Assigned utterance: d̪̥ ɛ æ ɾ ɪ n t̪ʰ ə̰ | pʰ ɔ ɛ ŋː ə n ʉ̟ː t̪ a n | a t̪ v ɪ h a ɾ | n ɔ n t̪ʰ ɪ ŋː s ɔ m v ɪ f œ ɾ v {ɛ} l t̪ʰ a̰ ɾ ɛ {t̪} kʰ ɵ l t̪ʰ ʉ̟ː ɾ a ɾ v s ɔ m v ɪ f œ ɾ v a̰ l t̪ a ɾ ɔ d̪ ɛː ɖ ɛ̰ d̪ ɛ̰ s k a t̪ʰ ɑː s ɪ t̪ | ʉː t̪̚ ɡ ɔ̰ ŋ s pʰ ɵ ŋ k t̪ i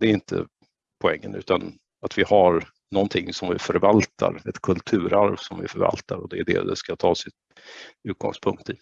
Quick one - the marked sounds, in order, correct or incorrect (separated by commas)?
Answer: incorrect, correct